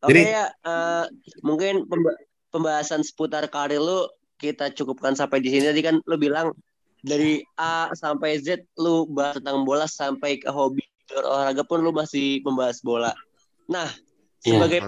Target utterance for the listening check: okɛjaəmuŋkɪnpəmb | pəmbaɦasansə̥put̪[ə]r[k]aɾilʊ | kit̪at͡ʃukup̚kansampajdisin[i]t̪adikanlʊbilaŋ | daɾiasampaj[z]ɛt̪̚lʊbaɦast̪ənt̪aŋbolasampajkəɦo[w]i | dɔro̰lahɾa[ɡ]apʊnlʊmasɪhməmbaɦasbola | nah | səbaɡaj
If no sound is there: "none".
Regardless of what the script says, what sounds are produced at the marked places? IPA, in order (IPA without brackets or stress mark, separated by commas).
a, k, i, z, b, ɡ